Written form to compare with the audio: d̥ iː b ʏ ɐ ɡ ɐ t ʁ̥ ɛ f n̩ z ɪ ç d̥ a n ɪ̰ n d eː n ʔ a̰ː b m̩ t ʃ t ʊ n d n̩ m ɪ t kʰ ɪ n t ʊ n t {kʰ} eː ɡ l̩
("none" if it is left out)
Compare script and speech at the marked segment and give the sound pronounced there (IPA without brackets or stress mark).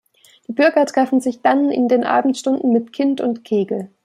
kʰ